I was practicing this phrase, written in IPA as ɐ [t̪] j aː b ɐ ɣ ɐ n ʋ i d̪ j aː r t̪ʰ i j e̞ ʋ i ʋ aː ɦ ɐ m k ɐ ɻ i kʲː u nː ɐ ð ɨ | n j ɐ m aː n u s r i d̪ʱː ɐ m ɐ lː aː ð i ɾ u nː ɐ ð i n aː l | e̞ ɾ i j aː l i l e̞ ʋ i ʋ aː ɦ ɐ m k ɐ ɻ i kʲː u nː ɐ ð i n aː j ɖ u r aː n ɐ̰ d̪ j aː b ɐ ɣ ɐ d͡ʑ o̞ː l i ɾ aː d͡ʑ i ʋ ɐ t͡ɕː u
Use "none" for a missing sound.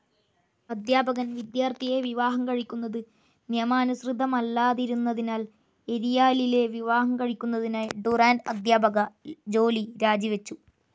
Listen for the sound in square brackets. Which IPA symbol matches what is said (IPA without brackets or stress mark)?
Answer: d̪